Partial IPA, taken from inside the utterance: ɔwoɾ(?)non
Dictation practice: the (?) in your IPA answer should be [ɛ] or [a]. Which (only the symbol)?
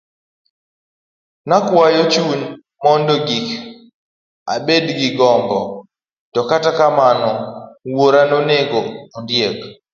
a